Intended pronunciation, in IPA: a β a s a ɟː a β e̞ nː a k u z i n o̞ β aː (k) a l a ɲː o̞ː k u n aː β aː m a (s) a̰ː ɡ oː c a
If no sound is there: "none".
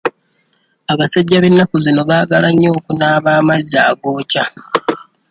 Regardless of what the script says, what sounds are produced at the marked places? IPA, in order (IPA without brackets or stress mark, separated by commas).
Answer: ɡ, z